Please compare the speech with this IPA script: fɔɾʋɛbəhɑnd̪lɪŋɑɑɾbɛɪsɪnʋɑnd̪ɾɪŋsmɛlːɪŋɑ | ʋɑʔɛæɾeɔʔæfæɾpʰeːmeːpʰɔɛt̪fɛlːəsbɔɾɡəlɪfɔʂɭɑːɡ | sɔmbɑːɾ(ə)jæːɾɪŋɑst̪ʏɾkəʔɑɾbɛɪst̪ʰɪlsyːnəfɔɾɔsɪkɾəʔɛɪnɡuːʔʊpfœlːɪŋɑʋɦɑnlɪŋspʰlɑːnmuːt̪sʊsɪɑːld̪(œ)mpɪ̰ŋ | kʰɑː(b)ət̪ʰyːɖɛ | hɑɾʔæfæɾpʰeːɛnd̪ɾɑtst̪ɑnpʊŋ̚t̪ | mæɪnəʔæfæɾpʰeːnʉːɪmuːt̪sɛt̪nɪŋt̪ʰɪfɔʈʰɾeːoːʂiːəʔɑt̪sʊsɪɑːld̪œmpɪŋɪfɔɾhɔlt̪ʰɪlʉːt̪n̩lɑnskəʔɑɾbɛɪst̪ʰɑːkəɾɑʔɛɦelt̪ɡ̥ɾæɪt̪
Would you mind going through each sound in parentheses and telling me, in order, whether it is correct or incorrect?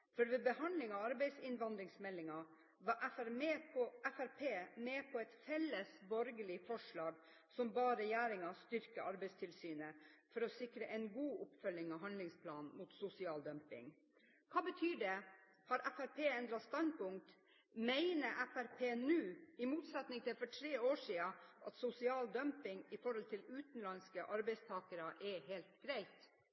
correct, correct, correct

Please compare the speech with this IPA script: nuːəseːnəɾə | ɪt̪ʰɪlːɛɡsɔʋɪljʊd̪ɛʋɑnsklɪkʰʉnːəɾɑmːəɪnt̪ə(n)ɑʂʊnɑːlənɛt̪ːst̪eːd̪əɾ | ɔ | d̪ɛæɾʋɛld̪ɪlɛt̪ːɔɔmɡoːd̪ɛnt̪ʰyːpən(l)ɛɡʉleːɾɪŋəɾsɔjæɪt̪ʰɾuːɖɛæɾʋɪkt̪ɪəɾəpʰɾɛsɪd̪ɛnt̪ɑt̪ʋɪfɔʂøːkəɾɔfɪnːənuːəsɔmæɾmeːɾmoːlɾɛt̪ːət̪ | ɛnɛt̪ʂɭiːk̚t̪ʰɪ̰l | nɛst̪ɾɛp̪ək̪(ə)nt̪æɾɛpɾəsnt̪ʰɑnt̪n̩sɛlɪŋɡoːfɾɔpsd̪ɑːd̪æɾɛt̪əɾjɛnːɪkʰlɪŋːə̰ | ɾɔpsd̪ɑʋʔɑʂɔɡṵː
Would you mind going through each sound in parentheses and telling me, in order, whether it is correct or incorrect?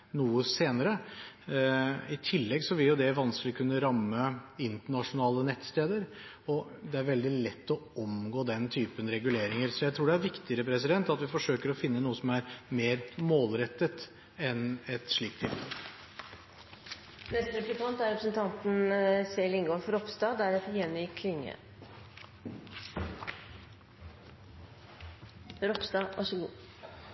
incorrect, incorrect, incorrect

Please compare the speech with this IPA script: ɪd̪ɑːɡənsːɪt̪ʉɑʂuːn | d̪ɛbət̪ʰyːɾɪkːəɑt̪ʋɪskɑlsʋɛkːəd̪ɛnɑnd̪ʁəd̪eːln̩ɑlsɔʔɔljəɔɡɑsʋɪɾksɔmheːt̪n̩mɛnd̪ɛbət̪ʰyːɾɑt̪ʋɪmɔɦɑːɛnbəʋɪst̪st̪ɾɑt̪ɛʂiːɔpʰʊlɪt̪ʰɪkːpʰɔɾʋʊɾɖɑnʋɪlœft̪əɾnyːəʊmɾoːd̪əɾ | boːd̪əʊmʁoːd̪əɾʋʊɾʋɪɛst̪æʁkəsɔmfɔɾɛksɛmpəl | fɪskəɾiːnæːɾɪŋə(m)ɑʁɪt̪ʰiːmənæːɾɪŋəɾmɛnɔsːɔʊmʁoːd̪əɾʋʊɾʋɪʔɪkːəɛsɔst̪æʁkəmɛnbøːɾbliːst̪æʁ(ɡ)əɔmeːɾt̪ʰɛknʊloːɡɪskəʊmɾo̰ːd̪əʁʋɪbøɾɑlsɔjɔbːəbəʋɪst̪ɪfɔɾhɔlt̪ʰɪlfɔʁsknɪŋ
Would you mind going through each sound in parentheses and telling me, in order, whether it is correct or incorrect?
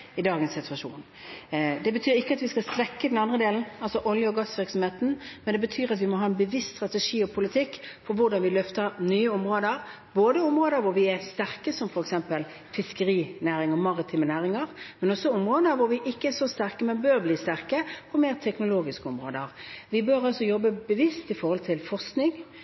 correct, incorrect

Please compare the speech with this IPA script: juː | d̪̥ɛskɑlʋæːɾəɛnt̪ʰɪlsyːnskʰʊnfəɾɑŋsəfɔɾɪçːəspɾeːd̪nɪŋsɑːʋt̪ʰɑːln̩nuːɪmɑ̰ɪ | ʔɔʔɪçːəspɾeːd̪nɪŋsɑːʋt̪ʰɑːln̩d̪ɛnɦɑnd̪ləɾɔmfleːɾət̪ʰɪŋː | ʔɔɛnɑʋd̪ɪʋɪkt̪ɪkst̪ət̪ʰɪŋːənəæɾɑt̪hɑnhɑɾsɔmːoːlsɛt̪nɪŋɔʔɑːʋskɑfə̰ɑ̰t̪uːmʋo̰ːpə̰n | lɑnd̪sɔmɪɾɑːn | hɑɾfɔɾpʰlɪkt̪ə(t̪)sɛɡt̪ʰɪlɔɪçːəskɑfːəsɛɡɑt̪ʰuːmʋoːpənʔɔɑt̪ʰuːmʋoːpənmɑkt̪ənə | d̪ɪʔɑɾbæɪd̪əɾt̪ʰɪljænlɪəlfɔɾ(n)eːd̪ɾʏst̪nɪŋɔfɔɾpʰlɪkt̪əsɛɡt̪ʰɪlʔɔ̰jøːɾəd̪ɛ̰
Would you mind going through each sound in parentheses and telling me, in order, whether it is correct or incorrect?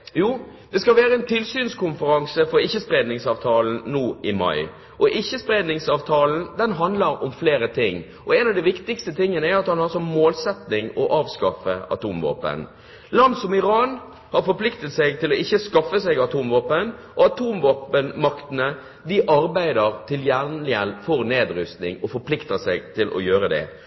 correct, correct

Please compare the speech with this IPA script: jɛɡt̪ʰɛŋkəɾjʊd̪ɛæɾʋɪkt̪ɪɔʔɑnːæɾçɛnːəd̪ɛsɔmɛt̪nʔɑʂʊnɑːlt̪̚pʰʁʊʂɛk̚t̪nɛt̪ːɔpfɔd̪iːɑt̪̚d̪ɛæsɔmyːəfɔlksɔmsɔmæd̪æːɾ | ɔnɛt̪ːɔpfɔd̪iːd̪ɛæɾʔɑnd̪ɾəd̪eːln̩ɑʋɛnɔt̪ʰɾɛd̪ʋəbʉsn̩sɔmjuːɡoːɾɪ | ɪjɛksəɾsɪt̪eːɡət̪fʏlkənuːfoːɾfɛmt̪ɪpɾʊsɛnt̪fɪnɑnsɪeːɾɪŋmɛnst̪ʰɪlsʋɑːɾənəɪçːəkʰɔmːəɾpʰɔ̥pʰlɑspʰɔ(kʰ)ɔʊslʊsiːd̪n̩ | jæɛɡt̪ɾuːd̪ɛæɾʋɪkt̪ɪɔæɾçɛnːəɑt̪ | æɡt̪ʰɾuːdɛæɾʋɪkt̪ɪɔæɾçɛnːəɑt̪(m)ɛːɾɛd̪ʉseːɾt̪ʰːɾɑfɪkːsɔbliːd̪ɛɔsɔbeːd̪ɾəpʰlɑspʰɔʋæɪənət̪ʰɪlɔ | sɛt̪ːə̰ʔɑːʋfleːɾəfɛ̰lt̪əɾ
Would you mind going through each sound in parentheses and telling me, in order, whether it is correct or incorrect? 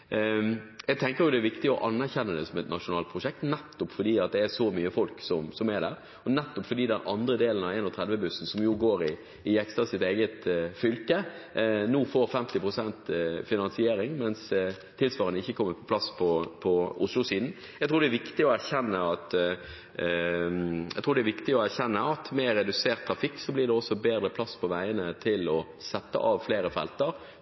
incorrect, correct

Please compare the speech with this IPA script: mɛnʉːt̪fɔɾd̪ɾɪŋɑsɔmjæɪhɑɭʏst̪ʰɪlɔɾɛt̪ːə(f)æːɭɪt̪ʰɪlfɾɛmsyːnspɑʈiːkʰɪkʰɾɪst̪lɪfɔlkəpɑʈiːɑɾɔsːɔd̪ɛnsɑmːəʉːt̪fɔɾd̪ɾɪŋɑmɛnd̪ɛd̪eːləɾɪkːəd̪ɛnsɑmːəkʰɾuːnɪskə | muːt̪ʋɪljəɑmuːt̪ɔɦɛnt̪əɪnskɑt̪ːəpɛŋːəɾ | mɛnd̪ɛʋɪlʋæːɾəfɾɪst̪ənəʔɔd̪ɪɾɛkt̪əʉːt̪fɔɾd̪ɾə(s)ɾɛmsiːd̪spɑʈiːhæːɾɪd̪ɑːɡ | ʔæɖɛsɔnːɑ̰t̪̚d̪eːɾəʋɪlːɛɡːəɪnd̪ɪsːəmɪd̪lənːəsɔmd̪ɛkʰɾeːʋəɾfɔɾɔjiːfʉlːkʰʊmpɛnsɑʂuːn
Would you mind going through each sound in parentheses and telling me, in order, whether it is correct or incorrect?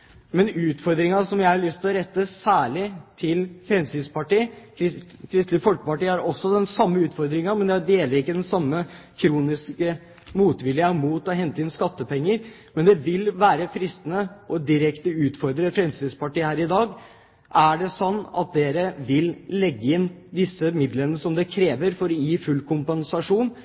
incorrect, incorrect

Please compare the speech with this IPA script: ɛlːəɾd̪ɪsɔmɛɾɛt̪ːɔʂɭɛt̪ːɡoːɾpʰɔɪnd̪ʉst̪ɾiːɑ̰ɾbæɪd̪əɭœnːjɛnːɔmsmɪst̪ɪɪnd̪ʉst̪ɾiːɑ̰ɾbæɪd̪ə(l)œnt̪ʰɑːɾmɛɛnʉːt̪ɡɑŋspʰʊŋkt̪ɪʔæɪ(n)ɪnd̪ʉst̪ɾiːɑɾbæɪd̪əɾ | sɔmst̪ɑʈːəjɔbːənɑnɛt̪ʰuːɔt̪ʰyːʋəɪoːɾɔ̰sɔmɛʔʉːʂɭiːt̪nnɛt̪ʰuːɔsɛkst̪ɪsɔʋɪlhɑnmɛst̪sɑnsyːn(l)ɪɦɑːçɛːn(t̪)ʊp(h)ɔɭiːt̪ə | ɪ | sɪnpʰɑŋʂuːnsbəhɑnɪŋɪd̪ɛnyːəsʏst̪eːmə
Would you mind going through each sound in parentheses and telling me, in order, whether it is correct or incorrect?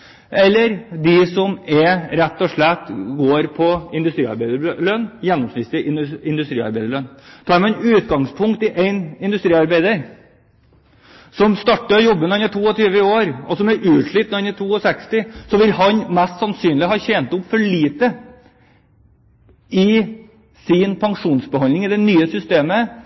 incorrect, correct, correct, correct, incorrect

